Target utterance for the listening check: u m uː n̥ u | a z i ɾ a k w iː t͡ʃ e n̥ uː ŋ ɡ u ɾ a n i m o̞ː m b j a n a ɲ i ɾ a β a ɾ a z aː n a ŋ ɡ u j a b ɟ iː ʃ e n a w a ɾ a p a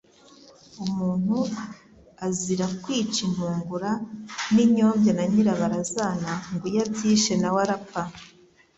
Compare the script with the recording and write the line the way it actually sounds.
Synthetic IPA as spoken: u m uː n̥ u | a z i ɾ a k w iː t͡ʃ i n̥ uː ŋ ɡ u ɾ a n i ɲ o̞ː m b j a n a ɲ i ɾ a β a ɾ a z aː n a ŋ ɡ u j a b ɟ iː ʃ e n a w a ɾ a p a